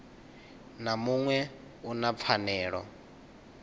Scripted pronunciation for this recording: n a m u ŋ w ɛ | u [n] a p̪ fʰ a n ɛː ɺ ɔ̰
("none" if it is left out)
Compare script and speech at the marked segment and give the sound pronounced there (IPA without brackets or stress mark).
n